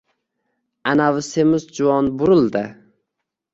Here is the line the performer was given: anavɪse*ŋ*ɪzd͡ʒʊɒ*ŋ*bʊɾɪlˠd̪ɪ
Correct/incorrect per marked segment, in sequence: incorrect, incorrect

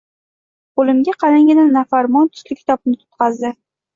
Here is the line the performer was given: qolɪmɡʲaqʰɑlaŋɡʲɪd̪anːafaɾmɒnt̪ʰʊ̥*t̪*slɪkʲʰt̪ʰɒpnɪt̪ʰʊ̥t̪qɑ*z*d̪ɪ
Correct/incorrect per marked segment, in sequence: incorrect, correct

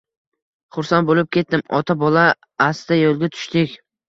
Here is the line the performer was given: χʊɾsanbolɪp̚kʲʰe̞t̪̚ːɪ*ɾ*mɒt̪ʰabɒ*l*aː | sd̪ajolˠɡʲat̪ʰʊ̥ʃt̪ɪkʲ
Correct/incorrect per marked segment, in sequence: incorrect, correct

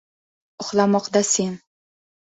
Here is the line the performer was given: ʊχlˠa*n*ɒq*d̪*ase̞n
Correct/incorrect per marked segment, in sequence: incorrect, correct

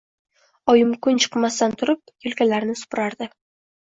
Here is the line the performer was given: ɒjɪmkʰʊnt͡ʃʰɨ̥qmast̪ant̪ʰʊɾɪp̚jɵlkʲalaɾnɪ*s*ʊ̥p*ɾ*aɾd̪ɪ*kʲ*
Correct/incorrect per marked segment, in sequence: correct, correct, incorrect

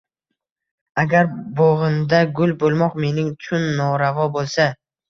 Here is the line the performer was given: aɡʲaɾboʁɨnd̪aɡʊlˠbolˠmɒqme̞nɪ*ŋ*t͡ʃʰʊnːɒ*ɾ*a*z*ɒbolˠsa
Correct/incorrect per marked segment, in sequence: correct, correct, incorrect

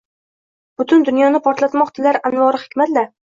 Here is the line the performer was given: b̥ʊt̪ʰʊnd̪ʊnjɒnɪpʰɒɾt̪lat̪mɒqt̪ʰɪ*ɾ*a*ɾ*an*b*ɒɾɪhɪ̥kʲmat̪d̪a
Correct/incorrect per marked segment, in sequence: incorrect, correct, incorrect

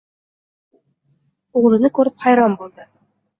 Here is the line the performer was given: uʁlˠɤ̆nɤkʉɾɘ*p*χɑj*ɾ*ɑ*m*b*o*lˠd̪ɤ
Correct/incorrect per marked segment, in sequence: correct, correct, correct, incorrect

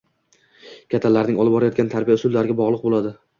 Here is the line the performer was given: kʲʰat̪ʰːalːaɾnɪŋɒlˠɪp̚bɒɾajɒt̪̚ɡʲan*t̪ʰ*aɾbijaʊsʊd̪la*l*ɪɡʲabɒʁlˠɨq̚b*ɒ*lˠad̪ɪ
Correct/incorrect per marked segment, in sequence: correct, incorrect, incorrect

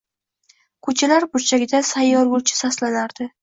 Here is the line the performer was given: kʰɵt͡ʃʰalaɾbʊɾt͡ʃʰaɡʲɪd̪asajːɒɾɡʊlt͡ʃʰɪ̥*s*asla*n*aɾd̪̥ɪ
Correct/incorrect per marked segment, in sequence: correct, correct

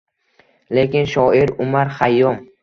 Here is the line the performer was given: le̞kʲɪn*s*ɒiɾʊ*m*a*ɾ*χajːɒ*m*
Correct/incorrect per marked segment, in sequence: incorrect, correct, correct, correct

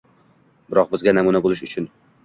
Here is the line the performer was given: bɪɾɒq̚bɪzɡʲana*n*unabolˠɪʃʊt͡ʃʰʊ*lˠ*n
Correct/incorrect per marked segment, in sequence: incorrect, incorrect

